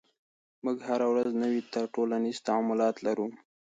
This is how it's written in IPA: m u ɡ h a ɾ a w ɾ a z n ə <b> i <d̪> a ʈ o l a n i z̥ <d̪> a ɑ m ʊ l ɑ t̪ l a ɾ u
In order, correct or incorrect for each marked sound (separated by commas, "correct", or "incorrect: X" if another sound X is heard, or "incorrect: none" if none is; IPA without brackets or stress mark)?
incorrect: w, incorrect: t̪, incorrect: t̪